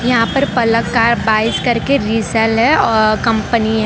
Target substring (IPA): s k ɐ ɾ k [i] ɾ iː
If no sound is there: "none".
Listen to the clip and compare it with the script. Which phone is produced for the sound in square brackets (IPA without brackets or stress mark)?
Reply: e